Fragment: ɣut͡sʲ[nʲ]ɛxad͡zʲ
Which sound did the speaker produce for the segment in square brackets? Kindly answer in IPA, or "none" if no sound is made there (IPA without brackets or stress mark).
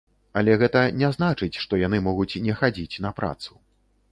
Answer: nʲ